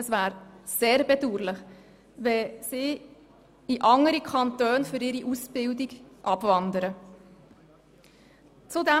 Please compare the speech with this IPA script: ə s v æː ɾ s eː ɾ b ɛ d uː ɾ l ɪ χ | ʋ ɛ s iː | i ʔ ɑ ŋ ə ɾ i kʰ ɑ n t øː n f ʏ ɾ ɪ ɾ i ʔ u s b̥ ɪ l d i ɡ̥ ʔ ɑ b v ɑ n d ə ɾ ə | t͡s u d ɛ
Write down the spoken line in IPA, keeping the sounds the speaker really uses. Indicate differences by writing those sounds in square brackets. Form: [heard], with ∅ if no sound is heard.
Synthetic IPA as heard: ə s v æː ɾ s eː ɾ b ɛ d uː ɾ l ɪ χ | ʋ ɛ s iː | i ʔ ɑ ŋ ə ɾ i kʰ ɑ n t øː n f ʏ ɾ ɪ ɾ i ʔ u s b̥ ɪ l d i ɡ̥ ʔ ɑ b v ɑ n d ə ɾ ə | t͡s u d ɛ